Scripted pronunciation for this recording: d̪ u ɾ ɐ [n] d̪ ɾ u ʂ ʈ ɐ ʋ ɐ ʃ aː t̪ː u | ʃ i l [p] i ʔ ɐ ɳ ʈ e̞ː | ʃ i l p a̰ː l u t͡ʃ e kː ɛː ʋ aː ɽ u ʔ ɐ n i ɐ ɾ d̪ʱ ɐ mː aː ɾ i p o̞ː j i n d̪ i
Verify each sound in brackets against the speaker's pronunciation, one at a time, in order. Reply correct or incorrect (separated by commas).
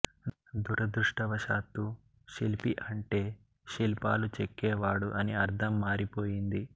incorrect, correct